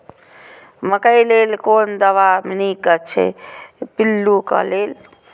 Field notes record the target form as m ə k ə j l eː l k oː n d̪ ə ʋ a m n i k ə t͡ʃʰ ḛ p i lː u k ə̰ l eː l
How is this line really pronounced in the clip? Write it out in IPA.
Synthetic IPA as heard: m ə k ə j l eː l k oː n d̪ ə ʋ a m n i k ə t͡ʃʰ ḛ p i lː u k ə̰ l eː l